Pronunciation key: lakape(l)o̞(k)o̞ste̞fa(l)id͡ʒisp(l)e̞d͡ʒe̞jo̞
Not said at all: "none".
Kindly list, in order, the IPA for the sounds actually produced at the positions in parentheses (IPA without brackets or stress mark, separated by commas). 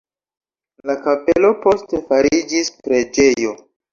l, p, ɾ, ɾ